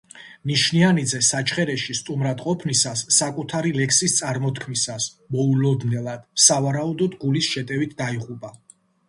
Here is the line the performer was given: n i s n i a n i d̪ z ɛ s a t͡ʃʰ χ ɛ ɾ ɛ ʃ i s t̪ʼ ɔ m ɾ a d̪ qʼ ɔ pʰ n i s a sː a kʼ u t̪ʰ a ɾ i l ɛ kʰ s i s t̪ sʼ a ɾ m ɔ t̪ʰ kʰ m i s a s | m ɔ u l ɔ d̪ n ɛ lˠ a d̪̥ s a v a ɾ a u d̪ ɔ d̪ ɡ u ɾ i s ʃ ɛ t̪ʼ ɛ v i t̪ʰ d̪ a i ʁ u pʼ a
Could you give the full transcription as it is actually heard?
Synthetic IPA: n i ʃ n i a n i d̪ z ɛ s a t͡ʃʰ χ ɛ ɾ ɛ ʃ i s t̪ʼ u m ɾ a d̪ qʼ ɔ pʰ n i s a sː a kʼ u t̪ʰ a ɾ i l ɛ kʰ s i s t̪ sʼ a ɾ m ɔ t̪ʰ kʰ m i s a s | m ɔ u l ɔ d̪ n ɛ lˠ a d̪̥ s a v a ɾ a u d̪ ɔ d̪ ɡ u l i s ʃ ɛ t̪ʼ ɛ v i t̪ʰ d̪ a i ʁ u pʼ a